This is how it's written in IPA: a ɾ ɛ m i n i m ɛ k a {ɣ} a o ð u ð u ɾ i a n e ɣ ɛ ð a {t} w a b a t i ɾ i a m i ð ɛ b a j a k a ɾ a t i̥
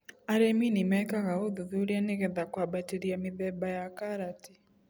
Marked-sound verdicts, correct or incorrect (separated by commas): correct, incorrect